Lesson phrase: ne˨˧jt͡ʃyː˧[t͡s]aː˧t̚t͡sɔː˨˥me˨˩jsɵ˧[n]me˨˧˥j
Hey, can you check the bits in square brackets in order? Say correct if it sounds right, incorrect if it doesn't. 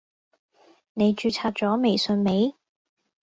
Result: incorrect: t͡sʰ, correct

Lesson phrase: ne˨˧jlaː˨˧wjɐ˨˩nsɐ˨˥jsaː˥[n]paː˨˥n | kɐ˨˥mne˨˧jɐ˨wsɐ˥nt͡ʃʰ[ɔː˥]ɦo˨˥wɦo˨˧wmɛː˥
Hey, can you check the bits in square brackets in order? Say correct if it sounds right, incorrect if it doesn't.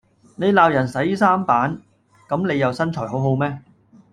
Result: incorrect: m, incorrect: ɔː˨˩

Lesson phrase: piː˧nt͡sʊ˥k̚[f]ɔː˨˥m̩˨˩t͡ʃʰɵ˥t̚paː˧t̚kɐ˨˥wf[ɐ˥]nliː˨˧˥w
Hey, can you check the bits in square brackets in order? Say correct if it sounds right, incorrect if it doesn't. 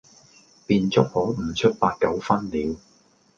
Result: incorrect: h, correct

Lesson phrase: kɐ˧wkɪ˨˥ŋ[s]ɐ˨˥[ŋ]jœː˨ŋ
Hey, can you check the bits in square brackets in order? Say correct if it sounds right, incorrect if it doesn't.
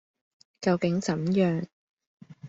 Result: incorrect: t͡s, incorrect: m

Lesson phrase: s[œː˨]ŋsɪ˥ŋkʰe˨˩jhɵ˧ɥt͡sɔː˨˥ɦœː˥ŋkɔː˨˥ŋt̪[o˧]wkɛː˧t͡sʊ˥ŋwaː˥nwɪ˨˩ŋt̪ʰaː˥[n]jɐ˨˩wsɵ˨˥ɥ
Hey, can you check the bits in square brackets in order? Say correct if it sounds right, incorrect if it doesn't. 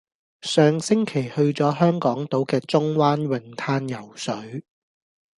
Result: correct, incorrect: o˨˥, correct

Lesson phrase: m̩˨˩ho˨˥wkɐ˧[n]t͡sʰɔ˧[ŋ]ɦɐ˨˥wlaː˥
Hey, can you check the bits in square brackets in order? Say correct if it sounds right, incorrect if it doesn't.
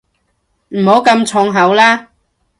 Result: incorrect: m, correct

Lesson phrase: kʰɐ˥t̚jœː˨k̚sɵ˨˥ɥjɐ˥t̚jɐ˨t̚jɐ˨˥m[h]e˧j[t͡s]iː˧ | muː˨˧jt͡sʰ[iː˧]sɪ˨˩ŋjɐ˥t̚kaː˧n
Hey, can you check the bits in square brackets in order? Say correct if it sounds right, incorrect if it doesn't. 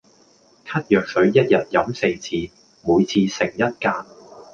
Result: incorrect: s, incorrect: t͡sʰ, correct

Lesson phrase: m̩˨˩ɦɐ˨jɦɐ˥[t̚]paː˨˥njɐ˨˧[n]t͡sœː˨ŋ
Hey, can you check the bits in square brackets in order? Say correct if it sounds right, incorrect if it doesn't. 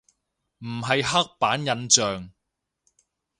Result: incorrect: k̚, correct

